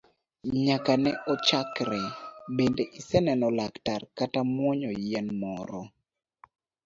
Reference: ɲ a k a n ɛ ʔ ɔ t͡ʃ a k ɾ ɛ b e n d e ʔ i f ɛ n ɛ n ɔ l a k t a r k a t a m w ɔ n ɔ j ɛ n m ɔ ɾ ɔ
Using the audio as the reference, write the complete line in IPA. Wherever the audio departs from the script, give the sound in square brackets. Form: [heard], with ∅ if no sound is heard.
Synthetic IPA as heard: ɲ a k a n ɛ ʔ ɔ t͡ʃ a k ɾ ɛ b e n d e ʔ i [s] ɛ n ɛ n ɔ l a k t a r k a t a m w ɔ [ɲ] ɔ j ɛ n m ɔ ɾ ɔ